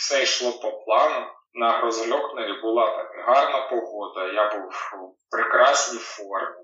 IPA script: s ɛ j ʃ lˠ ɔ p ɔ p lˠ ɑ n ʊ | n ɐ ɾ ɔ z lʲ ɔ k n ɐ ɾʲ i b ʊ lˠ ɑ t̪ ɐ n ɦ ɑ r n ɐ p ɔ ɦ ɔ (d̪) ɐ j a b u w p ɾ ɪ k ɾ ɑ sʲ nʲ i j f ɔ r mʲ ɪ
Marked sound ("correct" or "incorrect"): correct